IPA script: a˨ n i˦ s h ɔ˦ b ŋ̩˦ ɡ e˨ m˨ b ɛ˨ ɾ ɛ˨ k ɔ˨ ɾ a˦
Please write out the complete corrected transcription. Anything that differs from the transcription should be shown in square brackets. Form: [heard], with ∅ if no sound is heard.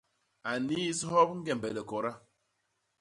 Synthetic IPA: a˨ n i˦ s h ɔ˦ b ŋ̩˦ ɡ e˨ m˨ b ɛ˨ [l] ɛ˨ k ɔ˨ ɾ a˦